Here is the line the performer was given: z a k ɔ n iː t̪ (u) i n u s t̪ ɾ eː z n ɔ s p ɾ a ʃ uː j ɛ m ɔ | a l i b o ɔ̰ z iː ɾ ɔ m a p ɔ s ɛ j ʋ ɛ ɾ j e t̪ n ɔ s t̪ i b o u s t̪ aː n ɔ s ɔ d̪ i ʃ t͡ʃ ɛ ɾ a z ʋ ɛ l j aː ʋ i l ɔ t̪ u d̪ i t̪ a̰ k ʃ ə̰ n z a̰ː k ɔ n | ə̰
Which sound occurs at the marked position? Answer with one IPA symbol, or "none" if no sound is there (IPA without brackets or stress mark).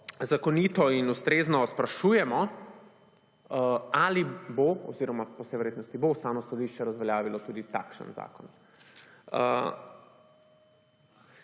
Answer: ɔ